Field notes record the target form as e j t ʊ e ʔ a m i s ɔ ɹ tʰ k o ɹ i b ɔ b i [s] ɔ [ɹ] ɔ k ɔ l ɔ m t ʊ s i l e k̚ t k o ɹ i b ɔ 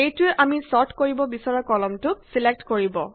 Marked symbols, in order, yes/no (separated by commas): yes, yes